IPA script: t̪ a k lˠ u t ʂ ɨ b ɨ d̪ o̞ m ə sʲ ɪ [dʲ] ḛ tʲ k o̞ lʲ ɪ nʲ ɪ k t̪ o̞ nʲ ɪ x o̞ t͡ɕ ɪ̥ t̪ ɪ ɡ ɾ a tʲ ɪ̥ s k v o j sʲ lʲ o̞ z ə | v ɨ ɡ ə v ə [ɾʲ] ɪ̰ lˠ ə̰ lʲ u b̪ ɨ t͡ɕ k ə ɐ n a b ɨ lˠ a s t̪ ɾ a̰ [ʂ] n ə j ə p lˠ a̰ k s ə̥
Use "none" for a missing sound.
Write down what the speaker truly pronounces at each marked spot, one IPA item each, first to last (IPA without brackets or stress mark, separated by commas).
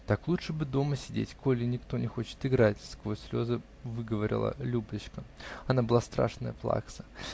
dʲ, ɾʲ, ʂ